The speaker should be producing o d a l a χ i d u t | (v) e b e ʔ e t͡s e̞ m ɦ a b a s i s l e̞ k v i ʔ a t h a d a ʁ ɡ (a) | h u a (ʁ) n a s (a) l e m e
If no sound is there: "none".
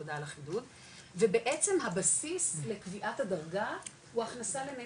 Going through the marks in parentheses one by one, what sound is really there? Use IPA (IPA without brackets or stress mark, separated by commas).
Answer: v, a, χ, a